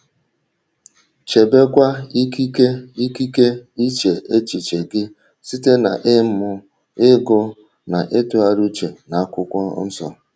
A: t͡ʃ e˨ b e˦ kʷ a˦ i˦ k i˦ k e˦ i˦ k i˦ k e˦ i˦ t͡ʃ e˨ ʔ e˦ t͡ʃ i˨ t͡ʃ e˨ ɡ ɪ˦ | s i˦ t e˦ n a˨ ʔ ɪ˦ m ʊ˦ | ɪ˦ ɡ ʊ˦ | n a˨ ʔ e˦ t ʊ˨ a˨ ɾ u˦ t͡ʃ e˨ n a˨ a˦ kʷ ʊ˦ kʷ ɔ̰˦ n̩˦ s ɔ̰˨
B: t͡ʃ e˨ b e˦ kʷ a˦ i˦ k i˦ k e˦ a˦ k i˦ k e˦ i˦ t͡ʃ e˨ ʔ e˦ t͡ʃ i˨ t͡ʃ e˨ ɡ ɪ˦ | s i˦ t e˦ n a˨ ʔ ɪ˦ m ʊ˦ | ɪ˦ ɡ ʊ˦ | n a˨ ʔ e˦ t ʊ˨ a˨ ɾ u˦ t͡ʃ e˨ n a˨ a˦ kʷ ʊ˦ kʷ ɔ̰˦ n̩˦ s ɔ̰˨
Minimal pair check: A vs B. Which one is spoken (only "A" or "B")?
A